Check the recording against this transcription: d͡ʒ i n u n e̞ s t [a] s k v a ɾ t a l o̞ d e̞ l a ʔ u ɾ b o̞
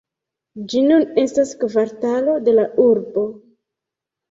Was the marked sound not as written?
no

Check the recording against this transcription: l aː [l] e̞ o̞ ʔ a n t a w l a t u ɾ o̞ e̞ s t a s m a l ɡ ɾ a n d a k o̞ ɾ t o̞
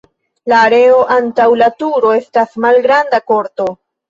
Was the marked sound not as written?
yes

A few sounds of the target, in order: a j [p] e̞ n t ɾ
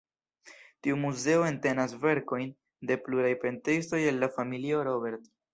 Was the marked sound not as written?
no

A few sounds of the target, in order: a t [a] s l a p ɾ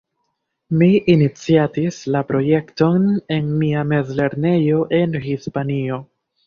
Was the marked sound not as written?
yes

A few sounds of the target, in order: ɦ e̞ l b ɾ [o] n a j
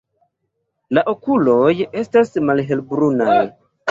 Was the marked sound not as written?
yes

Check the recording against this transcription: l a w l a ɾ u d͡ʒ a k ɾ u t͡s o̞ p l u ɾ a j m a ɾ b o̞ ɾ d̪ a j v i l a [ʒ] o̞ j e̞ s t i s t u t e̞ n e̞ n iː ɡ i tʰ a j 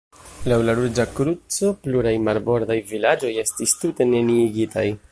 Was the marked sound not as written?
yes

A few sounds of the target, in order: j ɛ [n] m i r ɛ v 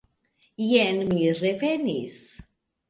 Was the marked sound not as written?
no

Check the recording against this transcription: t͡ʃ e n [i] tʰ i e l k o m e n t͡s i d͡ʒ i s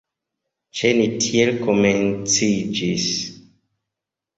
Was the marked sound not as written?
no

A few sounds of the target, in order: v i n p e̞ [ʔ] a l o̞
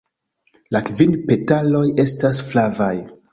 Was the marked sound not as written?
yes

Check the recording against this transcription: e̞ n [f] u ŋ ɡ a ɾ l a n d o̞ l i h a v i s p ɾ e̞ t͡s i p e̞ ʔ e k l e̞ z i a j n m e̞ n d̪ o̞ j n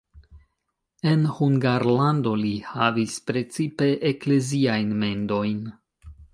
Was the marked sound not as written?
yes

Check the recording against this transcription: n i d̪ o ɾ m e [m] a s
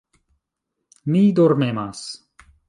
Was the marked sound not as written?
no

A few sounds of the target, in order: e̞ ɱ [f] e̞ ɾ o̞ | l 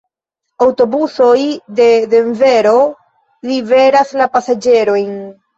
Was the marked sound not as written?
yes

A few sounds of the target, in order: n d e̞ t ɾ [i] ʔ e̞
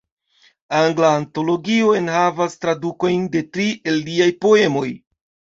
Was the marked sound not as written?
no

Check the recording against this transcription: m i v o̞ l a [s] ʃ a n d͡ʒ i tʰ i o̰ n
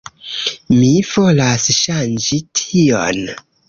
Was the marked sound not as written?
no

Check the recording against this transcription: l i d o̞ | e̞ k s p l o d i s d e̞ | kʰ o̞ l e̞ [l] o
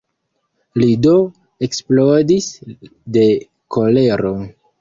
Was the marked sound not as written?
yes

